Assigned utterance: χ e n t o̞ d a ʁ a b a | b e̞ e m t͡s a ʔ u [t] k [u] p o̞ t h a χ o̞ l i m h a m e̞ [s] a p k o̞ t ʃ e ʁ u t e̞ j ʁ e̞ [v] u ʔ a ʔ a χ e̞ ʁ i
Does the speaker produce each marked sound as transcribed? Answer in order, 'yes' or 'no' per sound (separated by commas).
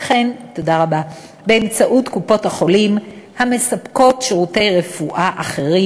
yes, yes, yes, no